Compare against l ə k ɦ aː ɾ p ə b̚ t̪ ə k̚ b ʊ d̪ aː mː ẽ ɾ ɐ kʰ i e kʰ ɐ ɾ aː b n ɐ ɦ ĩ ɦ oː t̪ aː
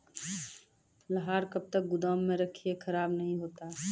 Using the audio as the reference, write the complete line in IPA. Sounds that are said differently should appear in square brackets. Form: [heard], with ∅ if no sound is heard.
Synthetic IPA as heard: l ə [∅] ɦ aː ɾ [k] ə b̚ t̪ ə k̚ [ɡ] ʊ d̪ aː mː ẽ ɾ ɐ kʰ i e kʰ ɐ ɾ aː b n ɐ ɦ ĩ ɦ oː t̪ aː